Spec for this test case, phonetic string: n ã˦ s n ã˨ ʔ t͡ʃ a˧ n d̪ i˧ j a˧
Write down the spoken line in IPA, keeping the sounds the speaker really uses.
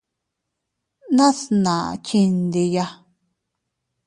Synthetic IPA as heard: n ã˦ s n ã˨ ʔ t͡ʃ i˧ n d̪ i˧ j a˧